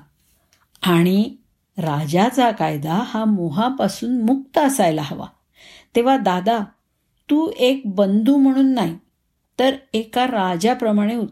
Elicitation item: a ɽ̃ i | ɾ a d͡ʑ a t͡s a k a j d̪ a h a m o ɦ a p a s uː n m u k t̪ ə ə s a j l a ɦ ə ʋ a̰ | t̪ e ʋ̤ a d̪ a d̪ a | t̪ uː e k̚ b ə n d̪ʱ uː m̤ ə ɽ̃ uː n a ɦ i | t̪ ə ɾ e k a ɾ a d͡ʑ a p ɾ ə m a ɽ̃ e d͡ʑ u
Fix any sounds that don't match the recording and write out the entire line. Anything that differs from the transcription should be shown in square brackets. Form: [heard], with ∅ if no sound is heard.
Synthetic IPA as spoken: a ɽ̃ i | ɾ a d͡ʑ a t͡s a k a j d̪ a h a m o ɦ a p a s uː n m u k t̪ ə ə s a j l a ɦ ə ʋ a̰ | t̪ e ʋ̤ a d̪ a d̪ a | t̪ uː e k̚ b ə n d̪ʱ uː m̤ ə ɽ̃ uː [nː] a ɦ i | t̪ ə ɾ e k a ɾ a d͡ʑ a p ɾ ə m a ɽ̃ e [∅] u